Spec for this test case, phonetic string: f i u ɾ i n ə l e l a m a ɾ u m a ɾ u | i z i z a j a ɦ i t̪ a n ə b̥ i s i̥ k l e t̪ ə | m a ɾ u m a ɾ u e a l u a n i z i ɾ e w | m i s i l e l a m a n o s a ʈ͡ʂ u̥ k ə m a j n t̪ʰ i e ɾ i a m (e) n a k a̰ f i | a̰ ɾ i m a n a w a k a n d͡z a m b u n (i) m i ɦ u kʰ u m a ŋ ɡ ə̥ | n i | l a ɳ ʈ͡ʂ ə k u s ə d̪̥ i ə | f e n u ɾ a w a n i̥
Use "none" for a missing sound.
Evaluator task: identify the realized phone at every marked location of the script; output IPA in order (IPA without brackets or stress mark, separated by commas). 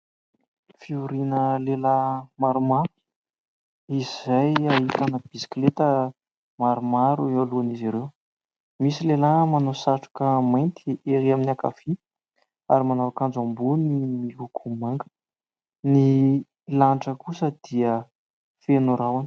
i, i